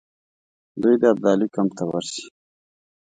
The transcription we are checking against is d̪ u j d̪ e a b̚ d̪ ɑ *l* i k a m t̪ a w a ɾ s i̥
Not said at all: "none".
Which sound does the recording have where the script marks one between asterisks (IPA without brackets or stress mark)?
l